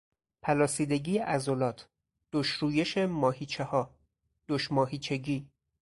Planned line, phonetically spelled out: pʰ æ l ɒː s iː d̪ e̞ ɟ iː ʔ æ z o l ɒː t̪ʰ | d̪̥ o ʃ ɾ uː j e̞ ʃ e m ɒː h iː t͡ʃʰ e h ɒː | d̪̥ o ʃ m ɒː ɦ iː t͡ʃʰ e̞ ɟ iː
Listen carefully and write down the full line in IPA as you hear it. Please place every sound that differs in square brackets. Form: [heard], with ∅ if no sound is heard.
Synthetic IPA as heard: pʰ æ l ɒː s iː d̪ e̞ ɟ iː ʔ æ z o l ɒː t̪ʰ | d̪̥ o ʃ ɾ uː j e̞ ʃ e m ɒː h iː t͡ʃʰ e h ɒː | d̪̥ o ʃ m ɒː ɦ iː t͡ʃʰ e̞ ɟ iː